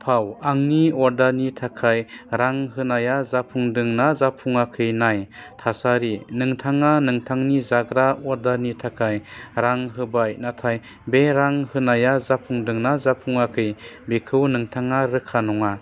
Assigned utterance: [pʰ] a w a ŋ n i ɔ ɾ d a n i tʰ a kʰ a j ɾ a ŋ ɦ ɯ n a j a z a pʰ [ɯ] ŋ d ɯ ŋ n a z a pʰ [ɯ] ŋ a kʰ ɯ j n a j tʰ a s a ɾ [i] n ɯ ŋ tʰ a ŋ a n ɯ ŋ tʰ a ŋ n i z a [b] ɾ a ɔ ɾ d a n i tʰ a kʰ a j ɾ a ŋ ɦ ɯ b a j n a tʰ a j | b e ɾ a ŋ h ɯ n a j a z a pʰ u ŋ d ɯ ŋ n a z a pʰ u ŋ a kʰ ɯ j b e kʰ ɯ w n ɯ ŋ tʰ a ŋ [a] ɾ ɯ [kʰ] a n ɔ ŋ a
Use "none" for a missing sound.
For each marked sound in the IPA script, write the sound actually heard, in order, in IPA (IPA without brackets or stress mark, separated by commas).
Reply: pʰ, u, u, i, ɡ, a, kʰ